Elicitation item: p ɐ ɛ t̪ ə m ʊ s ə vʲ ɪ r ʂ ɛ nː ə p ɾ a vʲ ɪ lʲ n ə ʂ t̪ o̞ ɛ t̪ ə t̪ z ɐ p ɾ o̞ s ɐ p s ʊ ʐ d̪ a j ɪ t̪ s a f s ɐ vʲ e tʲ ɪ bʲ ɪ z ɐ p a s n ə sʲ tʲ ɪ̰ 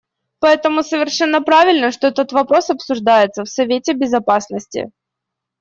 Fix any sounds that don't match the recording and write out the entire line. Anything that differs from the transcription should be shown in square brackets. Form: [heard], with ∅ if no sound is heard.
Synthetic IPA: p ɐ ɛ t̪ ə m ʊ s ə vʲ ɪ r ʂ ɛ nː ə p ɾ a vʲ ɪ lʲ n ə ʂ t̪ o̞ ɛ t̪ ə t̪ [v] ɐ p ɾ o̞ s ɐ p s ʊ ʐ d̪ a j ɪ t̪ s [ə] f s ɐ vʲ e tʲ ɪ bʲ ɪ z ɐ p a s n ə sʲ tʲ ɪ̰

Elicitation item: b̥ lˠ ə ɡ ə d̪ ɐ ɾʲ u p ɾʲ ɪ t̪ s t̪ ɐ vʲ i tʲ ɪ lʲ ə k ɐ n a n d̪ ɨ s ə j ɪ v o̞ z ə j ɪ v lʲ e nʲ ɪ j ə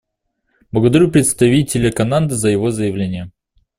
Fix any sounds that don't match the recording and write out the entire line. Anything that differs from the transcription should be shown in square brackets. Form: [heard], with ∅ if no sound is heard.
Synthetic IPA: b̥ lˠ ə ɡ ə d̪ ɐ ɾʲ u p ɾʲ ɪ t̪ s t̪ ɐ vʲ i tʲ ɪ lʲ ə k ɐ n a n d̪ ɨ [z] ə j ɪ v o̞ z ə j ɪ v lʲ e nʲ ɪ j ə

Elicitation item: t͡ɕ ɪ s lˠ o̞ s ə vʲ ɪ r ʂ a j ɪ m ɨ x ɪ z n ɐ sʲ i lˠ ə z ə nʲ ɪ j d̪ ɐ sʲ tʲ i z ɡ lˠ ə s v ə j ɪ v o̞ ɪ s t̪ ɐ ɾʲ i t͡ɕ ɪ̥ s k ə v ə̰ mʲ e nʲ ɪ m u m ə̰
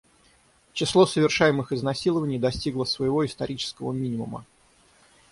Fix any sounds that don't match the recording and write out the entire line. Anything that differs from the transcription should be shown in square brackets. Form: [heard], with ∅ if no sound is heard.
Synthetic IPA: t͡ɕ ɪ s lˠ o̞ s ə vʲ ɪ r ʂ a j ɪ m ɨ x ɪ z n ɐ sʲ i lˠ ə [v] ə nʲ ɪ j d̪ ɐ sʲ tʲ i [∅] ɡ lˠ ə s v ə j ɪ v o̞ ɪ s t̪ ɐ ɾʲ i t͡ɕ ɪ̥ s k ə v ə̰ mʲ [i] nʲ ɪ m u m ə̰

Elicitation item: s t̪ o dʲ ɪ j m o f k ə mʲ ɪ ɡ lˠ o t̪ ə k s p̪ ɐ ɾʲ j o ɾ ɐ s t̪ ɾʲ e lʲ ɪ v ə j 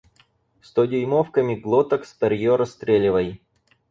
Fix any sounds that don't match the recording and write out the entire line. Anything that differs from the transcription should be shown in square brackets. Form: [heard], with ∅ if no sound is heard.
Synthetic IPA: s t̪ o dʲ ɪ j m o f k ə mʲ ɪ ɡ lˠ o t̪ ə k s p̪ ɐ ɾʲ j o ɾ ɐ s t̪ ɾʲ e lʲ ɪ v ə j

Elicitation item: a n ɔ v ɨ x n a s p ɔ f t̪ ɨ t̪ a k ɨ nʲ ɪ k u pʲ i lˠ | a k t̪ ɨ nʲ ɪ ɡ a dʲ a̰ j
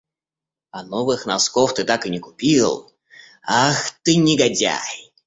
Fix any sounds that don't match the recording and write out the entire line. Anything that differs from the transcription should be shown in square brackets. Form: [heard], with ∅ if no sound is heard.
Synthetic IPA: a n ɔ v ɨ x n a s [k] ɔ f t̪ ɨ t̪ a k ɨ nʲ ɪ k u pʲ i lˠ | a [x] t̪ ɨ nʲ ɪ ɡ a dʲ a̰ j

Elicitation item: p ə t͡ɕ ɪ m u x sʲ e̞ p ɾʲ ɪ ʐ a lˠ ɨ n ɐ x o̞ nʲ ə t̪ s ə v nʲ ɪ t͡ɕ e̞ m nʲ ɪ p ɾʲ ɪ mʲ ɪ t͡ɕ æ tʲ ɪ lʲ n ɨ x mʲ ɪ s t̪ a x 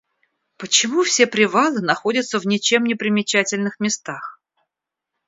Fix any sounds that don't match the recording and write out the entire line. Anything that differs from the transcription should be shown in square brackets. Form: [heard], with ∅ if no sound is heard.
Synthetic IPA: p ə t͡ɕ ɪ m u [f] sʲ e̞ p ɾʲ ɪ [v] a lˠ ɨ n ɐ x o̞ [dʲ] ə t̪ s ə v nʲ ɪ t͡ɕ e̞ m nʲ ɪ p ɾʲ ɪ mʲ ɪ t͡ɕ æ tʲ ɪ lʲ n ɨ x mʲ ɪ s t̪ a x

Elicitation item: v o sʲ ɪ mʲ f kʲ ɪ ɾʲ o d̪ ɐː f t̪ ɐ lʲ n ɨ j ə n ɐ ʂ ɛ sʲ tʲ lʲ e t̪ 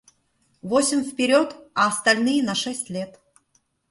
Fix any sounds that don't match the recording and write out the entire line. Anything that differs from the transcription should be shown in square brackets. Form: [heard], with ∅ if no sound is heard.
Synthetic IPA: v o sʲ ɪ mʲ f [pʲ] ɪ ɾʲ o [t̪] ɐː [s] t̪ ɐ lʲ n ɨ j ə n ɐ ʂ ɛ sʲ tʲ lʲ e t̪

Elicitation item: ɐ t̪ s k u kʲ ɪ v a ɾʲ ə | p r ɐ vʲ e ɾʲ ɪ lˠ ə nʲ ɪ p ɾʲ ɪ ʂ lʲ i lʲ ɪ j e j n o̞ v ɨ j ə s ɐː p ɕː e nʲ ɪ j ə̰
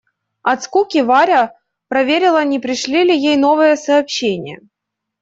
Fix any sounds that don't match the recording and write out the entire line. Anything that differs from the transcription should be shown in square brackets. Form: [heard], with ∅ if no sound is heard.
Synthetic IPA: ɐ t̪ s k u kʲ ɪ v a ɾʲ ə | p [ɾ] ɐ vʲ e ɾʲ ɪ lˠ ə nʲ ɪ p ɾʲ ɪ ʂ lʲ i lʲ ɪ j e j n o̞ v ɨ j ə s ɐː p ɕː e nʲ ɪ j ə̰

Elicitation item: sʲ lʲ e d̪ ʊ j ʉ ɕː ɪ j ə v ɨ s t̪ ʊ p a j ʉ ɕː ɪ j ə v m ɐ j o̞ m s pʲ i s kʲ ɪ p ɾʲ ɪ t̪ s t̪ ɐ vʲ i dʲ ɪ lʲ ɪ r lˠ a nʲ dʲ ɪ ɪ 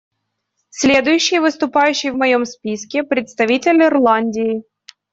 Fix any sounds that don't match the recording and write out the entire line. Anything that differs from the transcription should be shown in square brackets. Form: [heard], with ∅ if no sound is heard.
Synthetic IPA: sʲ lʲ e d̪ ʊ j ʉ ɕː ɪ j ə v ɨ s t̪ ʊ p a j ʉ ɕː ɪ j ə v m ɐ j o̞ m s pʲ i s kʲ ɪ p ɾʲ ɪ t̪ s t̪ ɐ vʲ i [tʲ] ɪ lʲ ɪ r lˠ a nʲ dʲ ɪ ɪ

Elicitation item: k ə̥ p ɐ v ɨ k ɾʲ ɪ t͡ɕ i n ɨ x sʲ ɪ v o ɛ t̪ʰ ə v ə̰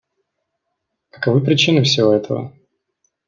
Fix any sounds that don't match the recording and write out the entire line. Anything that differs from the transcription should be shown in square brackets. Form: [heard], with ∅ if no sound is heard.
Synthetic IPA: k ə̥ [k] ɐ v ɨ [p] ɾʲ ɪ t͡ɕ i n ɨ [f] sʲ ɪ v o ɛ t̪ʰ ə v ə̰

